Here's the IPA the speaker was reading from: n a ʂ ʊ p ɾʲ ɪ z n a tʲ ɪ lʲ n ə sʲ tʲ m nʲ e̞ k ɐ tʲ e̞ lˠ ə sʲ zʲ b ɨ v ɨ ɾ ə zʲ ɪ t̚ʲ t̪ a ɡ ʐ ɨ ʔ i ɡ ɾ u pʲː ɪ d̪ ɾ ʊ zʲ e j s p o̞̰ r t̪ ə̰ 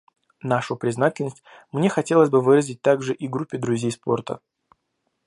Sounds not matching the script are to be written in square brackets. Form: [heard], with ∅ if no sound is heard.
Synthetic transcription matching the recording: n a ʂ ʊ p ɾʲ ɪ z n a tʲ ɪ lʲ n ə sʲ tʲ m nʲ e̞ [x] ɐ tʲ e̞ lˠ ə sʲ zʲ b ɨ v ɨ ɾ ə zʲ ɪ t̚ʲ t̪ a ɡ ʐ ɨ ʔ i ɡ ɾ u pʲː ɪ d̪ ɾ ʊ zʲ e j s p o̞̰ r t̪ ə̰

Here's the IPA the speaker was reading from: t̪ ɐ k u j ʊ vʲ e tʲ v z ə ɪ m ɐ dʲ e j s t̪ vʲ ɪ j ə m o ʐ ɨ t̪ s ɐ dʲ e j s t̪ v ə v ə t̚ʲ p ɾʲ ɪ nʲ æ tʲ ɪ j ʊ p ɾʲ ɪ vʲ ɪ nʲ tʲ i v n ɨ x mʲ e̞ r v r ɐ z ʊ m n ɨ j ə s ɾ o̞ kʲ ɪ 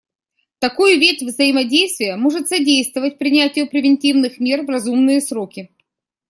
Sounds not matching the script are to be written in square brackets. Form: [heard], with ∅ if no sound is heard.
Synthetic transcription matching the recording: t̪ ɐ k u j ʊ vʲ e tʲ v z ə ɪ m ɐ dʲ e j s t̪ vʲ ɪ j ə m o ʐ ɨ t̪ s ɐ dʲ e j s t̪ v ə v ə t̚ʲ p ɾʲ ɪ nʲ æ tʲ ɪ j ʊ p ɾʲ ɪ vʲ ɪ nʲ tʲ i v n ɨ x mʲ e̞ r v r ɐ z [u] m n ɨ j ə s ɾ o̞ kʲ ɪ

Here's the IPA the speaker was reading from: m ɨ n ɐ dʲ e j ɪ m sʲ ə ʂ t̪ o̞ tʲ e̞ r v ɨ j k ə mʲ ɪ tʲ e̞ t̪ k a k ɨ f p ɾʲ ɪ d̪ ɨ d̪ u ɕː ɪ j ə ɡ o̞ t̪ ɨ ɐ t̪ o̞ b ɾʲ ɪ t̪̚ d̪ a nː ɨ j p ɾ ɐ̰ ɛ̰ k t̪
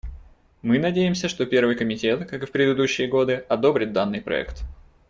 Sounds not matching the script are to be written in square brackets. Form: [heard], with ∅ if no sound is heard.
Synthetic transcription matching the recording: m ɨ n ɐ dʲ e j ɪ m sʲ ə ʂ t̪ o̞ [pʲ] e̞ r v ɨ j k ə mʲ ɪ tʲ e̞ t̪ k a k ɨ f p ɾʲ ɪ d̪ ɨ d̪ u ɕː ɪ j ə ɡ o̞ [d̪] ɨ ɐ [d̪] o̞ b ɾʲ ɪ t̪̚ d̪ a nː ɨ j p ɾ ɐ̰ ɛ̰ k t̪

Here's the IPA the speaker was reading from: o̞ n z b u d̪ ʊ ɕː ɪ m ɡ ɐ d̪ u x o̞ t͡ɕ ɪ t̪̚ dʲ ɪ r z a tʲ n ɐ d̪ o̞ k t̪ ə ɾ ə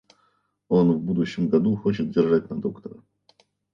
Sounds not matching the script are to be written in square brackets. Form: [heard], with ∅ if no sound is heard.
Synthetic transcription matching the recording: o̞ n [v] b u d̪ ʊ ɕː ɪ m ɡ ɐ d̪ u x o̞ t͡ɕ ɪ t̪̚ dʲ ɪ r [ʐ] a tʲ n ɐ d̪ o̞ k t̪ ə ɾ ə

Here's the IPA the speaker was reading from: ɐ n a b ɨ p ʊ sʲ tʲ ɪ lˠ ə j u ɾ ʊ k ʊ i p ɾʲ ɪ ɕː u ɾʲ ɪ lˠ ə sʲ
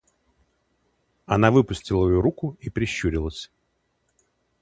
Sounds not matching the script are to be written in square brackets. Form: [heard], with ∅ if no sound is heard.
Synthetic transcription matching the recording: ɐ n a [v] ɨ p ʊ sʲ tʲ ɪ lˠ ə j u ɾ [u] k ʊ i p ɾʲ ɪ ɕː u ɾʲ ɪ lˠ ə sʲ

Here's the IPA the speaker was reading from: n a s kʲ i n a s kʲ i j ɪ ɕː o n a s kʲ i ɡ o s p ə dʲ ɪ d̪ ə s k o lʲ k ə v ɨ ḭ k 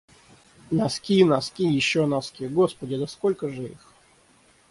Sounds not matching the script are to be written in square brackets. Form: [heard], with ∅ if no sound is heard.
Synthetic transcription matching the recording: n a s kʲ i n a s kʲ i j ɪ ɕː o n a s kʲ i ɡ o s p ə dʲ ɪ d̪ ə s k o lʲ k ə [ʐ] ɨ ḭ [x]

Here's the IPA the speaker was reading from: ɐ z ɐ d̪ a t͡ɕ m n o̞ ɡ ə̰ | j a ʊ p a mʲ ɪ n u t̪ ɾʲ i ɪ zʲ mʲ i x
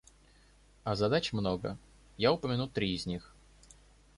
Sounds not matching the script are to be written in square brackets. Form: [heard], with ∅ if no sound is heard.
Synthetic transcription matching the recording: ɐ z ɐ d̪ a t͡ɕ m n o̞ ɡ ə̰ | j a ʊ p [ə] mʲ ɪ n u t̪ ɾʲ i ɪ zʲ [nʲ] i x

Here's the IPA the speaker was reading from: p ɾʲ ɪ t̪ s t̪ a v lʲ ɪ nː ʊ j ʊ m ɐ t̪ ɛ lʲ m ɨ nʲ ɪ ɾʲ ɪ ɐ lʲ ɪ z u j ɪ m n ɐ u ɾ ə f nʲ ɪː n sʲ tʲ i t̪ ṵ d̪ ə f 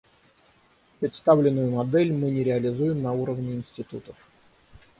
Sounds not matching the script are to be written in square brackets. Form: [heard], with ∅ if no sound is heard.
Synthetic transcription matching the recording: p ɾʲ ɪ t̪ s t̪ a v lʲ ɪ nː ʊ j ʊ m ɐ [d̪] ɛ lʲ m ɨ nʲ ɪ ɾʲ ɪ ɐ lʲ ɪ z u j ɪ m n ɐ u ɾ ə [v] nʲ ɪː n sʲ tʲ [ɪ] t̪ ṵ [t̪] ə f

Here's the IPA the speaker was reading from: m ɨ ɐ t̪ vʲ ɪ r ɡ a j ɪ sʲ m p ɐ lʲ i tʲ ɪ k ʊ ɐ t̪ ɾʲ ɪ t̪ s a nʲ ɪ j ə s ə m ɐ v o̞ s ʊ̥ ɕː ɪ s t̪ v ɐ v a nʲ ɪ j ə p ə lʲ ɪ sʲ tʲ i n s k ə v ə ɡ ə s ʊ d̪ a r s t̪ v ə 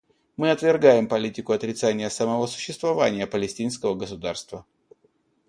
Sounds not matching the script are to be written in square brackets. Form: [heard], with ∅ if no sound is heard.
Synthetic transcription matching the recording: m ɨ ɐ t̪ vʲ ɪ r ɡ a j ɪ [∅] m p ɐ lʲ i tʲ ɪ k ʊ ɐ t̪ ɾʲ ɪ t̪ s a nʲ ɪ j ə s ə m ɐ v o̞ s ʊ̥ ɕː ɪ s t̪ v ɐ v a nʲ ɪ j ə p ə lʲ ɪ sʲ tʲ i n s k ə v ə ɡ ə s ʊ d̪ a r s t̪ v ə

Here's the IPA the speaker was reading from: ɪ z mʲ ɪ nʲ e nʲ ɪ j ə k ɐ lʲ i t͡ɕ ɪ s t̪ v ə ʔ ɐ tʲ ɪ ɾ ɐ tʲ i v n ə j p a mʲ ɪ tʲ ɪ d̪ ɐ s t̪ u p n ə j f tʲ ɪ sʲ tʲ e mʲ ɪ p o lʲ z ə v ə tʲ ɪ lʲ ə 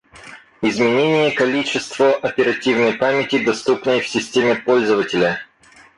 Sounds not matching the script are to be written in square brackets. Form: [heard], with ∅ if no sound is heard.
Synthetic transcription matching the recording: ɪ z mʲ ɪ nʲ e nʲ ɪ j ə k ɐ lʲ i t͡ɕ ɪ s t̪ v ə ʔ ɐ [pʲ] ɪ ɾ ɐ tʲ i v n ə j p a mʲ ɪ tʲ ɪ d̪ ɐ s t̪ u p n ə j f [sʲ] ɪ sʲ tʲ e mʲ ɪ p o lʲ z ə v ə tʲ ɪ lʲ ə

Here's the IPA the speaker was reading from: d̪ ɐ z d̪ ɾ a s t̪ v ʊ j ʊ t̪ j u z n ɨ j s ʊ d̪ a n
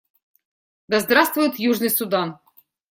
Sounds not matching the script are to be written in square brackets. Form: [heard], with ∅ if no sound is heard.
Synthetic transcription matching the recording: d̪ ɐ z d̪ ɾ a s t̪ v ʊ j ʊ t̪ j u [ʐ] n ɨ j s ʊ d̪ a n

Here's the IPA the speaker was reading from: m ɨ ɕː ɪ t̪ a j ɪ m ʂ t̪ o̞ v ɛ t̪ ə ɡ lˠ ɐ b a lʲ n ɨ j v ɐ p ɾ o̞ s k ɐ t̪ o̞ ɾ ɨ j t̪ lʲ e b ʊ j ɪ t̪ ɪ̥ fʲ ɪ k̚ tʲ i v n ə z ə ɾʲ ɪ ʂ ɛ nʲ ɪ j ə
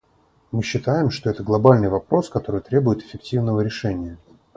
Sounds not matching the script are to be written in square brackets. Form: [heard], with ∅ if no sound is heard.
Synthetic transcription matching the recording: m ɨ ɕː ɪ t̪ a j ɪ m ʂ t̪ o̞ [∅] ɛ t̪ ə ɡ lˠ ɐ b a lʲ n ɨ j v ɐ p ɾ o̞ s k ɐ t̪ o̞ ɾ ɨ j t̪ [ɾʲ] e b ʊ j ɪ t̪ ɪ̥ fʲ ɪ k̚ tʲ i v n ə [v] ə ɾʲ ɪ ʂ ɛ nʲ ɪ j ə

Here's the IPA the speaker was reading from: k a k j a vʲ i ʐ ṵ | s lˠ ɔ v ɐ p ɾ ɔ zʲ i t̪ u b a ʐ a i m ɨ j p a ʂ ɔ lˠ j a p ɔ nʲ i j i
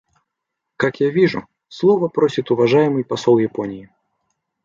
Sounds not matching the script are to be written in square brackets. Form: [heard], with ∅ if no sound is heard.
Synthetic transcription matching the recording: k a k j a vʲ i ʐ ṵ | s lˠ ɔ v ɐ p ɾ ɔ [sʲ] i t̪ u [v] a ʐ a [j] m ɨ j p a [s] ɔ lˠ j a p ɔ nʲ i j i

